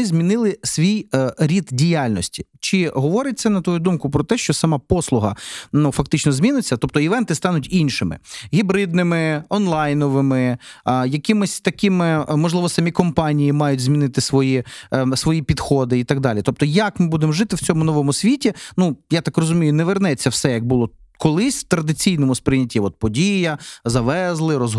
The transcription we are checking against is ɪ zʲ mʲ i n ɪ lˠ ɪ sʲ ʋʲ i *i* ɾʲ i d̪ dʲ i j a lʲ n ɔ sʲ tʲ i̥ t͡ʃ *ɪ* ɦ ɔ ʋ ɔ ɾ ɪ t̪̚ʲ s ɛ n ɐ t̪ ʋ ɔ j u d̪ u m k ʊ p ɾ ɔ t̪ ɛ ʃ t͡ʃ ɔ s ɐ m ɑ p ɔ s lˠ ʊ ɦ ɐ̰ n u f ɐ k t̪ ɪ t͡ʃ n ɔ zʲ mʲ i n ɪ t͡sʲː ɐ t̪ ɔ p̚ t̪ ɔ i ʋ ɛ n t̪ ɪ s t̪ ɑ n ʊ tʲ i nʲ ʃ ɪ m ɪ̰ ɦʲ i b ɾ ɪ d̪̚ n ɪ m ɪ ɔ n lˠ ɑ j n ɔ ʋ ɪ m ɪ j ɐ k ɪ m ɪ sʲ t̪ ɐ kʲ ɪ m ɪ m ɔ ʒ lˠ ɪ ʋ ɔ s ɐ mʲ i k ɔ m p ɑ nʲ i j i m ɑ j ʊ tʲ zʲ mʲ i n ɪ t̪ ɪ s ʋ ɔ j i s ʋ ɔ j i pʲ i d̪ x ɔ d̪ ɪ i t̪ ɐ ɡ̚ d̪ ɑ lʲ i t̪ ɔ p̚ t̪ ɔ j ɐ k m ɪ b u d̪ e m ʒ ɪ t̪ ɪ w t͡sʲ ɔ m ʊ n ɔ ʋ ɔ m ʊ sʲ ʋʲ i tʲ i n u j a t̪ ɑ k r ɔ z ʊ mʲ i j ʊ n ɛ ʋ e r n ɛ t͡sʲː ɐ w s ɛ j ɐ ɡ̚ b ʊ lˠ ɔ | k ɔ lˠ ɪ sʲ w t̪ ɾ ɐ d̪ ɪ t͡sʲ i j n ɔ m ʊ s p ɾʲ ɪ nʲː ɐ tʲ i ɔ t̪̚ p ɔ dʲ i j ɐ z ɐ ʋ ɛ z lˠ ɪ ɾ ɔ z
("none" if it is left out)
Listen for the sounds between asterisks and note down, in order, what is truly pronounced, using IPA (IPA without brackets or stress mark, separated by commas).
j, ɪ